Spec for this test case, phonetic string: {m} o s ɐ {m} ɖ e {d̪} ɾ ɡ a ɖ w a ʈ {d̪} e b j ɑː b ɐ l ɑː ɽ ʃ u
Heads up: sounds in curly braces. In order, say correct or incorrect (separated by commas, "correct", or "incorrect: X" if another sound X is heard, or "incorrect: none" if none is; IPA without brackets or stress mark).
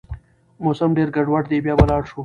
correct, correct, incorrect: none, correct